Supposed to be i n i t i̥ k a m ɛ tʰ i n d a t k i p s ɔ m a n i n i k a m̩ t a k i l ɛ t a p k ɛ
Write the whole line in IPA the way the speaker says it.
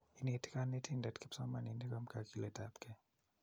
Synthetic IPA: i n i t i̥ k a n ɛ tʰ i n d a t k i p s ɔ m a n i n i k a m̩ k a k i l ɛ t a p k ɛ